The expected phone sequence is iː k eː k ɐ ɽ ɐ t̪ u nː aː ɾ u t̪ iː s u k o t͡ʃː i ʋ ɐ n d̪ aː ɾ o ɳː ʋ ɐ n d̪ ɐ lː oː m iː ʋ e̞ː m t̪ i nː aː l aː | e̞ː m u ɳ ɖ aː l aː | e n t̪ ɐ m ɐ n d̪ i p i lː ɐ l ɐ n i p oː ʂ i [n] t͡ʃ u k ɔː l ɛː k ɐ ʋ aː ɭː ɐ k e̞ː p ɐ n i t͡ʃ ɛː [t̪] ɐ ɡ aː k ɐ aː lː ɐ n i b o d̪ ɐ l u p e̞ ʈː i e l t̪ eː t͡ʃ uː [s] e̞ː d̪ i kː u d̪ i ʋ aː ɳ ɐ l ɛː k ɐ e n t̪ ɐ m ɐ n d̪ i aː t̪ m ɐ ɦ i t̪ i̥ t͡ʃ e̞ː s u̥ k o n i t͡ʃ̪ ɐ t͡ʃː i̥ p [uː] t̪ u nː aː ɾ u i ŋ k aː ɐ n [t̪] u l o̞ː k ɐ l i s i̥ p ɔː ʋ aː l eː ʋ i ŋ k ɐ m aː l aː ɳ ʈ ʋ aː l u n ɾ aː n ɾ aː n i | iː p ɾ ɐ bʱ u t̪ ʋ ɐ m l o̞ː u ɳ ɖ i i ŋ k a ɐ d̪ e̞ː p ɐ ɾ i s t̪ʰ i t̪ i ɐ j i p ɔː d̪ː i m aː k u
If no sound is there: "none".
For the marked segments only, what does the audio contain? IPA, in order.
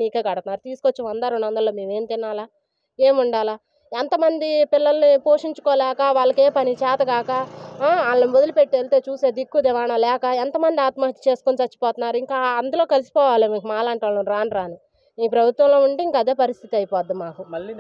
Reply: ɲ, t̪, s, ɔː, d̪

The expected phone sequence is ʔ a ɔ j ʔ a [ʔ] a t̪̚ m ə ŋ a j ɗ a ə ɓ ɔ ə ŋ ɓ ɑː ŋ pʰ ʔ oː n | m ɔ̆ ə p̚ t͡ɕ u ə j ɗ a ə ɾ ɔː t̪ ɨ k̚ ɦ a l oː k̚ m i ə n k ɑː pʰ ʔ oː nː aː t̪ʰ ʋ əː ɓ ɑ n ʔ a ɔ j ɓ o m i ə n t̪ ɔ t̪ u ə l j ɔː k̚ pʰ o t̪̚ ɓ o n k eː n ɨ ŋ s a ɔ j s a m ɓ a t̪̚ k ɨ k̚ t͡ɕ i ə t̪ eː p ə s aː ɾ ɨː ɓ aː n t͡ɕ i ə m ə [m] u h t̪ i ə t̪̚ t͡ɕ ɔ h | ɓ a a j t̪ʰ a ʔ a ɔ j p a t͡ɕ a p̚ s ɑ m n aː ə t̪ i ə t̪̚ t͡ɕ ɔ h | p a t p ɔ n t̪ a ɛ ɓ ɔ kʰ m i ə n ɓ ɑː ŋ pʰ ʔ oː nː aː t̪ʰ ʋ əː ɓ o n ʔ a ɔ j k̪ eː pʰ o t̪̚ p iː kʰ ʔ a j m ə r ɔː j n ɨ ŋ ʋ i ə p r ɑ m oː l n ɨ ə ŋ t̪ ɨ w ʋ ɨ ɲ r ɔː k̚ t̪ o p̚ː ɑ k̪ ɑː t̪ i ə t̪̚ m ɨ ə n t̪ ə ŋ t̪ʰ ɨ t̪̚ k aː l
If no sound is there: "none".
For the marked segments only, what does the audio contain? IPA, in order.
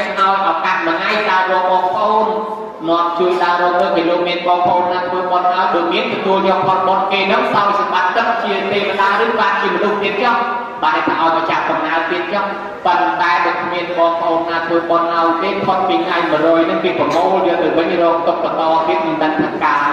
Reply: k, n

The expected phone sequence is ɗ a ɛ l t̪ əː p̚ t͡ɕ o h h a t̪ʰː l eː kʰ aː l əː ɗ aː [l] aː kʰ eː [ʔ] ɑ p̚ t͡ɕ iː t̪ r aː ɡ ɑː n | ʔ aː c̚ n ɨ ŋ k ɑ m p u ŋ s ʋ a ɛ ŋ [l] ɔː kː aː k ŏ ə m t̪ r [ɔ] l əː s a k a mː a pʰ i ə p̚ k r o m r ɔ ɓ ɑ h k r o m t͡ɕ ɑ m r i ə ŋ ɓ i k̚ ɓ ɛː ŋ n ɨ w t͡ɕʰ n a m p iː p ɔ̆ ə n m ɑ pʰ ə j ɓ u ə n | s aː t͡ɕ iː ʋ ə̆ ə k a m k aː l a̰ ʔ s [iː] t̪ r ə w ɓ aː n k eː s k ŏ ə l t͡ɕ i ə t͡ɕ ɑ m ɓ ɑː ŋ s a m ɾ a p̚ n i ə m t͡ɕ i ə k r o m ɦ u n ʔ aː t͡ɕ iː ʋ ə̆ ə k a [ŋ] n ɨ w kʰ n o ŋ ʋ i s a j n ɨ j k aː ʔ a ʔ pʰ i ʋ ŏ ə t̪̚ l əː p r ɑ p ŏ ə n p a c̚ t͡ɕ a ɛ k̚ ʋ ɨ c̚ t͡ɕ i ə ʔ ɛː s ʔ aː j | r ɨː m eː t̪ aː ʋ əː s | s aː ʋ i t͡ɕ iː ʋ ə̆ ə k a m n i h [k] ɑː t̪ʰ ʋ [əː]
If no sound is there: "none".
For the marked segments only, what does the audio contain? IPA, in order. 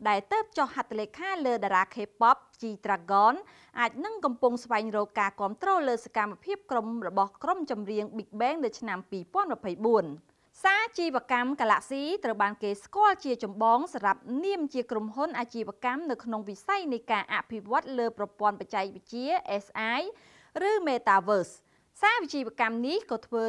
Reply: ɾ, p, r, ɔː, iː, m, k, əː

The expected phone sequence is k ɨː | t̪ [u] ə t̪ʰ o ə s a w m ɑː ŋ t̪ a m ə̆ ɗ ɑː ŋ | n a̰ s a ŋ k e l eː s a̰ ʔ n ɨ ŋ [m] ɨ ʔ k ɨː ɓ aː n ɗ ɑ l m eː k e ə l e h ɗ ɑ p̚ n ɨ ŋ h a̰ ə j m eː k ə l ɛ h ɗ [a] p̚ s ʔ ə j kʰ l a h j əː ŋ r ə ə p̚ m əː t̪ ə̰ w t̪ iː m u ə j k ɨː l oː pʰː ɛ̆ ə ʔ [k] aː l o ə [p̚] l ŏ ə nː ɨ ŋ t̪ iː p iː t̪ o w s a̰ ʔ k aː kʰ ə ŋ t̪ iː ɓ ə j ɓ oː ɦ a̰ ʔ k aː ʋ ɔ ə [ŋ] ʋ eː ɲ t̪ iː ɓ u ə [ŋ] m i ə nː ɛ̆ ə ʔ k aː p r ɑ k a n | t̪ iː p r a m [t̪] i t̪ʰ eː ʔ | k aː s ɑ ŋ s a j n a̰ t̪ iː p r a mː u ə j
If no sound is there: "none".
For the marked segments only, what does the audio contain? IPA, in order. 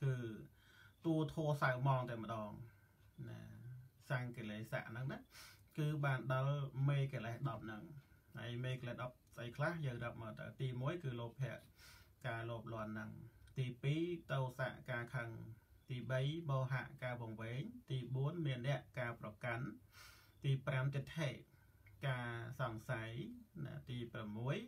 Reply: u, n, ɑ, k, p̚, ŋ, n, t̪

